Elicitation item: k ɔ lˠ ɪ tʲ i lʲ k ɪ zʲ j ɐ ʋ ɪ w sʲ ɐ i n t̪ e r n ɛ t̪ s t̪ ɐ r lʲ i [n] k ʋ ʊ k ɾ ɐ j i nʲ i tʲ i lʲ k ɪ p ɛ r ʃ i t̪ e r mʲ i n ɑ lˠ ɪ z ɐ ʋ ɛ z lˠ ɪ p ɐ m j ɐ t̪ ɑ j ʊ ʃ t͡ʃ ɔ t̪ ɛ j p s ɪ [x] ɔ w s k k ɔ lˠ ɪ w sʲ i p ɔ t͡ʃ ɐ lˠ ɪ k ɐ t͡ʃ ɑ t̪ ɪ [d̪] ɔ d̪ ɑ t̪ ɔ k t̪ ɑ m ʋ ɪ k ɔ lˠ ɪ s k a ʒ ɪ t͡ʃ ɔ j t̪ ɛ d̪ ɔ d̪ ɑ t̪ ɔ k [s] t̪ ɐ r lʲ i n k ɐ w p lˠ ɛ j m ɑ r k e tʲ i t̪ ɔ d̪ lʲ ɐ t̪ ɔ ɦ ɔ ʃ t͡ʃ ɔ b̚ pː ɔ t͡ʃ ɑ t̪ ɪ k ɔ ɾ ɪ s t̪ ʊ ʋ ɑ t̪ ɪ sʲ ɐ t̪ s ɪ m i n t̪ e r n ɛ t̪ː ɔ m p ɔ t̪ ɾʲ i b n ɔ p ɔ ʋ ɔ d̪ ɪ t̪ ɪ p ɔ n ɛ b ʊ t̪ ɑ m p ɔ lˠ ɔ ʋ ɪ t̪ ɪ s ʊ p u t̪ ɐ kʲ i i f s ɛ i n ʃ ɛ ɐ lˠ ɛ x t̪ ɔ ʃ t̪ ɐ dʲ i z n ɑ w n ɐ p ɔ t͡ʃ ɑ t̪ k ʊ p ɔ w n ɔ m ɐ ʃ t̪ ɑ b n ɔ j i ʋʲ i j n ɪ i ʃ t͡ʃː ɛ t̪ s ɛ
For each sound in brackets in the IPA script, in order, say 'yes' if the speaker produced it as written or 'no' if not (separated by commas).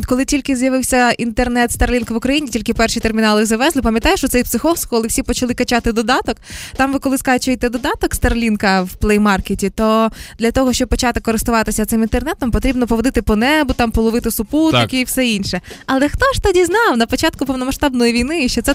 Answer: yes, yes, yes, yes